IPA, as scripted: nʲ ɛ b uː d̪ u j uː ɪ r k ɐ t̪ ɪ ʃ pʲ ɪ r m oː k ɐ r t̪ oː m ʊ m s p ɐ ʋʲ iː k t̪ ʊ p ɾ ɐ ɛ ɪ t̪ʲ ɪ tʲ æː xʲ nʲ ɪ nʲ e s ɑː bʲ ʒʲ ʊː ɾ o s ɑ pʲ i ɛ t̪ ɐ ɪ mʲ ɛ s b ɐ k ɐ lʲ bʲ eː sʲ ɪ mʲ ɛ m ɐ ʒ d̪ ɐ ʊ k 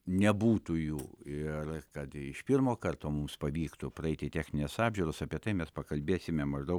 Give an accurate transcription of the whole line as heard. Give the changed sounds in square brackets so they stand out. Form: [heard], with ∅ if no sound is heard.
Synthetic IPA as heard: nʲ ɛ b uː [t̪] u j uː ɪ r k ɐ t̪ ɪ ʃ pʲ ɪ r m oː k ɐ r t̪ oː m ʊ m s p ɐ ʋʲ iː k t̪ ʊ p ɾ ɐ ɛ ɪ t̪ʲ ɪ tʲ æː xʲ nʲ ɪ nʲ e s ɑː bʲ ʒʲ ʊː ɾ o s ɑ pʲ i ɛ t̪ ɐ ɪ mʲ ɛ s [p] ɐ k ɐ lʲ bʲ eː sʲ ɪ mʲ ɛ m ɐ ʒ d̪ ɐ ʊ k